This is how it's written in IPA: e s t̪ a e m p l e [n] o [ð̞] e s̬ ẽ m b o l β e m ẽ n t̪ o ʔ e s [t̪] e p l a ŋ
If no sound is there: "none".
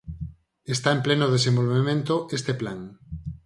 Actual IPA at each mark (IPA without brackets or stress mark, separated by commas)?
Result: n, ð̞, t̪